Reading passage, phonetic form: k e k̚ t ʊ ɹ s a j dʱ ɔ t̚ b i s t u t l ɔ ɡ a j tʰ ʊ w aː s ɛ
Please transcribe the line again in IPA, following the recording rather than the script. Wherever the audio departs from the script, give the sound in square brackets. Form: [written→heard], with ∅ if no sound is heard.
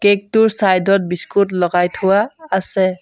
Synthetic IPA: k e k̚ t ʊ ɹ s a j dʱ ɔ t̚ b i s [t→k] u t l ɔ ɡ a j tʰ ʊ w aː s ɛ